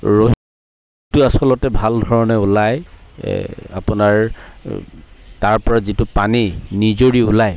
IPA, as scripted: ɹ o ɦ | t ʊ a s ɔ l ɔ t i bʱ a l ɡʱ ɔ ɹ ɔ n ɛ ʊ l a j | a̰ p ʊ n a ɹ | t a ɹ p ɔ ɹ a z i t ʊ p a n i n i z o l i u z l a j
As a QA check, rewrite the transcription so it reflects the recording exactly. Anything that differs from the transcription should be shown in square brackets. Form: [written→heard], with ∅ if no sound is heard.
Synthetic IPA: ɹ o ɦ | t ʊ a s ɔ l ɔ t [i→ɛ] bʱ a l [ɡʱ→dʱ] ɔ ɹ ɔ n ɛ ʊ l a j | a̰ p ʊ n a ɹ | t a ɹ p ɔ ɹ a z i t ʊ p a n i n i z o [l→ɹ] i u [z→∅] l a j